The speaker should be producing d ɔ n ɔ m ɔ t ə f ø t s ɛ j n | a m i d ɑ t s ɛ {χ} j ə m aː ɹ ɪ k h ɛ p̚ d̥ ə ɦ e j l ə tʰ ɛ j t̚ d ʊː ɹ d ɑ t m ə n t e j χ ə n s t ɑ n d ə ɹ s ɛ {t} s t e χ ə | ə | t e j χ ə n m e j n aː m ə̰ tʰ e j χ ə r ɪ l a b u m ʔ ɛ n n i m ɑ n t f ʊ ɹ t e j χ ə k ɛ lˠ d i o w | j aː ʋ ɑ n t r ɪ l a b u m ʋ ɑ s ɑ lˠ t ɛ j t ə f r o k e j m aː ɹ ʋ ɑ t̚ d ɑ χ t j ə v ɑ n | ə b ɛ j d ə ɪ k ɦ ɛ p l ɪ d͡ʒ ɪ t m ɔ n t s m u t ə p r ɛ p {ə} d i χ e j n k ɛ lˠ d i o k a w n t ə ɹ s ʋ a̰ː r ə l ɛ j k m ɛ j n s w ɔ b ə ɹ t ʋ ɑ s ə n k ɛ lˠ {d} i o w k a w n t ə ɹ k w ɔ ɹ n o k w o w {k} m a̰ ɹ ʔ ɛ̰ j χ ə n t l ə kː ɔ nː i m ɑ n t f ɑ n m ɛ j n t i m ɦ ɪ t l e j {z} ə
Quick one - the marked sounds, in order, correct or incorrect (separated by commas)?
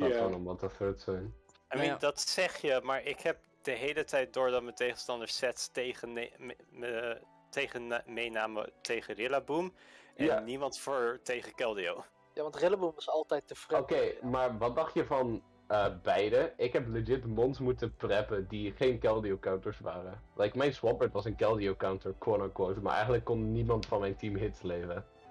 correct, correct, correct, correct, incorrect, incorrect